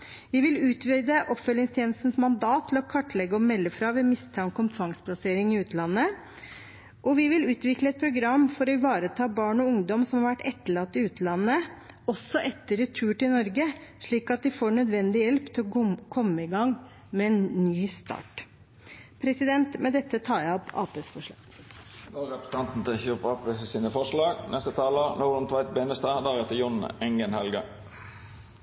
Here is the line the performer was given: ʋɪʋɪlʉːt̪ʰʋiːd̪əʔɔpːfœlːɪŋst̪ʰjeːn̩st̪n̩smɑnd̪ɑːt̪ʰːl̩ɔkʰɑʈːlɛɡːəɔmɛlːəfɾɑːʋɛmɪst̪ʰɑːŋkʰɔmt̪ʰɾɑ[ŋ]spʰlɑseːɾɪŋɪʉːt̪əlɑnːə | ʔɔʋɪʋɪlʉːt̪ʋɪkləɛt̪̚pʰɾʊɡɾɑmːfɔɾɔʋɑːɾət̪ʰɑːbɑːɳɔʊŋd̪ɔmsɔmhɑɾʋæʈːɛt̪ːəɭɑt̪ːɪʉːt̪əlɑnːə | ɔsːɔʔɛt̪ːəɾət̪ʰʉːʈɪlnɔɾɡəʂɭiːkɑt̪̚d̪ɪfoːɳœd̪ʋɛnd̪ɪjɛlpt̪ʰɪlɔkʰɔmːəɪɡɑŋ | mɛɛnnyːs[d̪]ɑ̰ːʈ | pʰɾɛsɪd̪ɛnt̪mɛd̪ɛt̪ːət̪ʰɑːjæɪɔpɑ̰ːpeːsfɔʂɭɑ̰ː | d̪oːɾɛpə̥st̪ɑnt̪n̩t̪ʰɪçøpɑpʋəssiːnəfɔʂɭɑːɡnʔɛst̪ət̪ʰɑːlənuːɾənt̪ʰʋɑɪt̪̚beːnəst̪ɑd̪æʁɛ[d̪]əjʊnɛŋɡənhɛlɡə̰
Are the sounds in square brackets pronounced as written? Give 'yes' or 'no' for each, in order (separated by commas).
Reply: yes, no, no